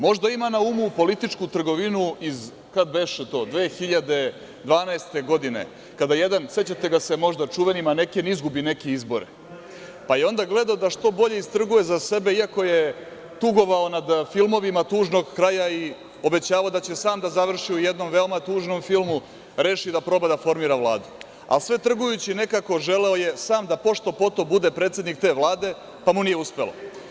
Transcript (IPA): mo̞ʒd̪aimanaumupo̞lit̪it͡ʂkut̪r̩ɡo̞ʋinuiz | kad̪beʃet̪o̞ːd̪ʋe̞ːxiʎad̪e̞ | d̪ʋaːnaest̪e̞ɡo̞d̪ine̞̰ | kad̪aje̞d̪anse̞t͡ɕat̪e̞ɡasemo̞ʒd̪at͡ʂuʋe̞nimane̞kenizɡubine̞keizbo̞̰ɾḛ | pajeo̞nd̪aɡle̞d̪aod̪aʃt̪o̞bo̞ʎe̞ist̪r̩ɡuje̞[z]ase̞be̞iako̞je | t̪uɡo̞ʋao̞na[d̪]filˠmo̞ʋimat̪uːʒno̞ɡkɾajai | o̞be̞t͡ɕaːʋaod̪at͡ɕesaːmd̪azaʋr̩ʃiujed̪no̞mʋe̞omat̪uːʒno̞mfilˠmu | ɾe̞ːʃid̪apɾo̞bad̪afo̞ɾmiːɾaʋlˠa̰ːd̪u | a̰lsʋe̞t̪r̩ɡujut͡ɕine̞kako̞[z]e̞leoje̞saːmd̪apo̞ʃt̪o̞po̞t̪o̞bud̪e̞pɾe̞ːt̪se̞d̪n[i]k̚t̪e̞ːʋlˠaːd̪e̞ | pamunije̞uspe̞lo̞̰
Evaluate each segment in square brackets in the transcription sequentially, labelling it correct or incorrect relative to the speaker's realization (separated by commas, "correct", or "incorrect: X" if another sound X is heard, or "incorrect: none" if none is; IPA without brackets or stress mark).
correct, correct, incorrect: ʒ, correct